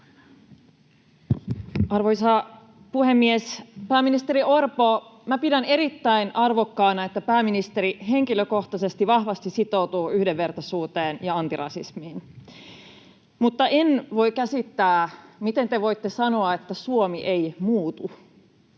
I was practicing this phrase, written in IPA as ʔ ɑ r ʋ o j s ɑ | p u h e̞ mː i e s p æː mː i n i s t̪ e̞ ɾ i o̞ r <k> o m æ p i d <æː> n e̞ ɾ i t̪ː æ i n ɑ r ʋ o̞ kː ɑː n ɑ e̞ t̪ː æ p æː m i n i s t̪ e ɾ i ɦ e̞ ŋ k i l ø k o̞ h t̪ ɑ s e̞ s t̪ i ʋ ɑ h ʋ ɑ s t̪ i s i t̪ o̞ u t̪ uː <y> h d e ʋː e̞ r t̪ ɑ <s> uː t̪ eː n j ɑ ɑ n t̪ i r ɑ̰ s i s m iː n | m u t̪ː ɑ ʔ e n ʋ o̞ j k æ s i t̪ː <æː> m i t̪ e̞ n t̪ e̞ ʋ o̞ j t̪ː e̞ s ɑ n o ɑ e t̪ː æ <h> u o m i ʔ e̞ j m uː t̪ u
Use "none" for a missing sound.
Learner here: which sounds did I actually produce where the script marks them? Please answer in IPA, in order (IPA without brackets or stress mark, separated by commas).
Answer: p, æ, y, s, æː, s